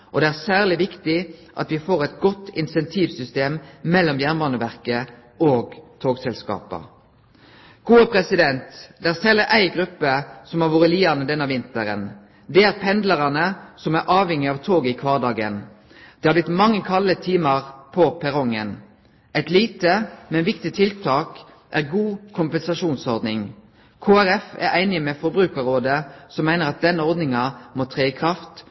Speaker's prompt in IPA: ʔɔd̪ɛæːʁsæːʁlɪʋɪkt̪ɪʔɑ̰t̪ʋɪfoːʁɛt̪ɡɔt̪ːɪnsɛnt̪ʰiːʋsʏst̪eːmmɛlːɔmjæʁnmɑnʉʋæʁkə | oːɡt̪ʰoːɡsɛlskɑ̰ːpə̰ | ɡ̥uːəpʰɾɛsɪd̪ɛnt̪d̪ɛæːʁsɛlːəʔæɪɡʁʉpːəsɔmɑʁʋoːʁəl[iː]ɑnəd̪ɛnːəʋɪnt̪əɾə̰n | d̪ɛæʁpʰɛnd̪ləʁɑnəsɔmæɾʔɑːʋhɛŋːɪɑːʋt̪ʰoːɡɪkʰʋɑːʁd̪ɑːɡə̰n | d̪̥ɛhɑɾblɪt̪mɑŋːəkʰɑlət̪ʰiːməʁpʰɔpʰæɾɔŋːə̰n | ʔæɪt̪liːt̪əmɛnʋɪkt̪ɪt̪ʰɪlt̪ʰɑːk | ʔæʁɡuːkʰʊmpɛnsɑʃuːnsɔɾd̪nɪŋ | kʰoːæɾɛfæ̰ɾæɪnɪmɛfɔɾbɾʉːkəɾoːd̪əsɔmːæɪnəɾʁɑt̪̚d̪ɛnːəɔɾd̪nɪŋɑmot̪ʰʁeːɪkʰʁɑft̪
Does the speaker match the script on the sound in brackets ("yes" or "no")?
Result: yes